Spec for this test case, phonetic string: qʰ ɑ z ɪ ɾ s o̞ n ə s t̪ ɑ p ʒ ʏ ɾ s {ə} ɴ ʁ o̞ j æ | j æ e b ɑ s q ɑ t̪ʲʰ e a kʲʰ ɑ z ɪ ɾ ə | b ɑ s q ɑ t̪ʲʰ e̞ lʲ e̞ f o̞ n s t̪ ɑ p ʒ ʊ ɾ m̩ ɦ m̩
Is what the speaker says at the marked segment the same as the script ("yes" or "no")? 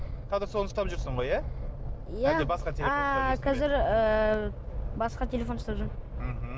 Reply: yes